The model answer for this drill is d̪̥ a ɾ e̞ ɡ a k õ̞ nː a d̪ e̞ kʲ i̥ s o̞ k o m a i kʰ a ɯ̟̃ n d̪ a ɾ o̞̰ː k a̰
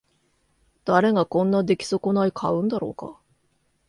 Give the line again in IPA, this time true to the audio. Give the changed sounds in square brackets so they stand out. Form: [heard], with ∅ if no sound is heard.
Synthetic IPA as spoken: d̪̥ a ɾ e̞ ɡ a k õ̞ nː a d̪ e̞ kʲ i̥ s o̞ k o [n] a i kʰ a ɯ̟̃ n d̪ a ɾ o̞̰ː k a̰

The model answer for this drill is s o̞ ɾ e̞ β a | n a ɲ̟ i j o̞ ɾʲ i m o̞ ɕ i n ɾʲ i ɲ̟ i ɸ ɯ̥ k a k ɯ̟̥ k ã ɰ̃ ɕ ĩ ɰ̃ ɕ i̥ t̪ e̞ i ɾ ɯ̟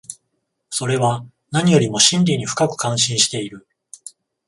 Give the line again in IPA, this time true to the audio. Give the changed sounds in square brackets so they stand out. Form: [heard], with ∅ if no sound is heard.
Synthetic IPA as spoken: s o̞ ɾ e̞ β a | n a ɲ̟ i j o̞ ɾʲ i m o̞ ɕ [ĩ] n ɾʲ i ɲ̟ i ɸ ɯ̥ k a k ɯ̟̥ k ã ɰ̃ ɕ ĩ ɰ̃ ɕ i̥ t̪ e̞ i ɾ ɯ̟

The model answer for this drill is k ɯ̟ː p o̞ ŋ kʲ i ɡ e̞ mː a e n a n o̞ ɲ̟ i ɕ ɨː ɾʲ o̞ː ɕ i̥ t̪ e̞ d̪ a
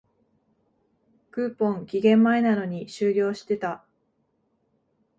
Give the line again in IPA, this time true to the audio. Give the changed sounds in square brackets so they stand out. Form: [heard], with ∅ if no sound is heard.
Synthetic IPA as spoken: k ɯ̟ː p [õ̞] ŋ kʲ i ɡ [ẽ̞] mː a e n a n o̞ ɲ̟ i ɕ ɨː ɾʲ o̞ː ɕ i̥ t̪ e̞ [t̪] a

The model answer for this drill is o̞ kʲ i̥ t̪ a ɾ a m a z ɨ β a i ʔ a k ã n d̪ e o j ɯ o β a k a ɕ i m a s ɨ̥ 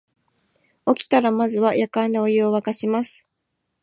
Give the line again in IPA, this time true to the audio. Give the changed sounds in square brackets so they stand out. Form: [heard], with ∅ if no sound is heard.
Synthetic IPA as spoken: o̞ kʲ i̥ t̪ a ɾ a m a z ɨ β a [j] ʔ a k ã n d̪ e o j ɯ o β a k a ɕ i m a s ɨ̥

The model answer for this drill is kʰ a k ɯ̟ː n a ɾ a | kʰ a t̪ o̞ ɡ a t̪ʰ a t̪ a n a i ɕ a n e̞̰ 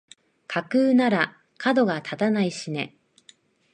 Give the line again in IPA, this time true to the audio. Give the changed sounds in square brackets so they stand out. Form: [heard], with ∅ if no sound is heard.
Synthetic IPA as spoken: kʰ a k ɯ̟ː n a ɾ a | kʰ a [d̪] o̞ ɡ a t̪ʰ a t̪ a n a i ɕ [i] n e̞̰

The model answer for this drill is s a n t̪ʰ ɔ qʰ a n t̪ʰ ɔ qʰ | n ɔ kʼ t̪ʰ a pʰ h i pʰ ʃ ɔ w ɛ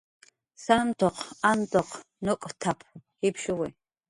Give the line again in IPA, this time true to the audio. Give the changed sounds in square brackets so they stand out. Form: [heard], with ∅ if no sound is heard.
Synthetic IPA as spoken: s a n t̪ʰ ɔ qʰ a n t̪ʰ ɔ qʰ | n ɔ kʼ t̪ʰ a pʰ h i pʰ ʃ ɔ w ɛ

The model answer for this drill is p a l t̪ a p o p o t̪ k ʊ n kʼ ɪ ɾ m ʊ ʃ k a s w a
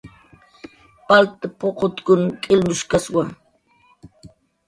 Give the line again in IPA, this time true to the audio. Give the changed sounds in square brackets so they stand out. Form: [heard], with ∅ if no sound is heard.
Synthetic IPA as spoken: p a l t̪ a p o [q] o t̪ k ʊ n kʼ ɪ [l] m ʊ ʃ k a s w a

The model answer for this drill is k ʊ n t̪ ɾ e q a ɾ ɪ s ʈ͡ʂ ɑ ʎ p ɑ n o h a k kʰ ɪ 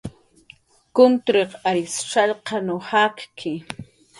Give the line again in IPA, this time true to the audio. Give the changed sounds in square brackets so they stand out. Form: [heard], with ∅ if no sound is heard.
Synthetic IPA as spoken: k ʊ n t̪ ɾ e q a ɾ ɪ s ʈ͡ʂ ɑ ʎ [q] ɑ n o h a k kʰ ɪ

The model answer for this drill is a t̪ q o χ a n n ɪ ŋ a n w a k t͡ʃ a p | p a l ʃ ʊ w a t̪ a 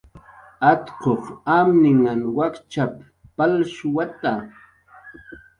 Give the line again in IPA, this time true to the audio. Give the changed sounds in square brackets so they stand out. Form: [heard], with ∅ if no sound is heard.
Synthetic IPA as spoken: a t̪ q o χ a [m] n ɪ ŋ a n w a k t͡ʃ a p | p a l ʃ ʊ w a t̪ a

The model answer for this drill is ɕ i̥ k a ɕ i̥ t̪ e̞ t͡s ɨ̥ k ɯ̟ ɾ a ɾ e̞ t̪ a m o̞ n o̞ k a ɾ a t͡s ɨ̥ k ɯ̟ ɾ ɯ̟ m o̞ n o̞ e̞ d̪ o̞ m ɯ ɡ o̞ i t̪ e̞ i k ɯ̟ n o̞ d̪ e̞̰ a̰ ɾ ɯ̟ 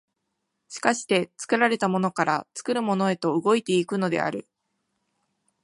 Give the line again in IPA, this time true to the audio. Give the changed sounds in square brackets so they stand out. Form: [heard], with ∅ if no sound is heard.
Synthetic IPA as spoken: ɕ i̥ k a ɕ i̥ t̪ e̞ t͡s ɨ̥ k ɯ̟ ɾ a ɾ e̞ t̪ a m o̞ n o̞ k a ɾ a t͡s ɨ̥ k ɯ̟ ɾ ɯ̟ m o̞ n o̞ e̞ [t̪] o̞ [∅] ɯ ɡ o̞ i t̪ e̞ i k ɯ̟ n o̞ d̪ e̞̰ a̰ ɾ ɯ̟

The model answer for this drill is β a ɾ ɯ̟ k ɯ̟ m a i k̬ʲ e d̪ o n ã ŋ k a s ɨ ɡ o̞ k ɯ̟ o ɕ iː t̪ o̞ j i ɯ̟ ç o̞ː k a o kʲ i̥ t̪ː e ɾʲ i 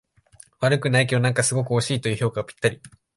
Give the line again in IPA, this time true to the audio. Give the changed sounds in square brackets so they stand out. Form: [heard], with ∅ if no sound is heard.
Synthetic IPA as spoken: β a ɾ ɯ̟ k ɯ̟ [n] a i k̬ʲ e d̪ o n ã ŋ k a s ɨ ɡ o̞ k ɯ̟ o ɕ iː t̪ o̞ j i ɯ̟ ç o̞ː k a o [pʲ] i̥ t̪ː [a] ɾʲ i

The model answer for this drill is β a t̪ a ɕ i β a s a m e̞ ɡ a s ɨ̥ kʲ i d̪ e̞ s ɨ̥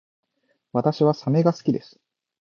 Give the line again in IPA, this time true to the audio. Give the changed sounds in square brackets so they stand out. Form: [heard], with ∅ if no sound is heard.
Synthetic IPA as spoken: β a t̪ a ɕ i β a s a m e̞ ɡ a s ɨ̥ kʲ i d̪ e̞ s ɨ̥

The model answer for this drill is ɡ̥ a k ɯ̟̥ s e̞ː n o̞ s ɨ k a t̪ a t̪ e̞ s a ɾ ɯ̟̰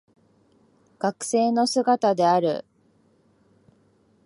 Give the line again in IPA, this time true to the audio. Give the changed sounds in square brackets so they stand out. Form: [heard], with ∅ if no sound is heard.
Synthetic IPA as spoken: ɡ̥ a k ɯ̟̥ s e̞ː n o̞ s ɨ [ɡ] a t̪ a [d̪] e̞ [∅] a ɾ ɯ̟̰

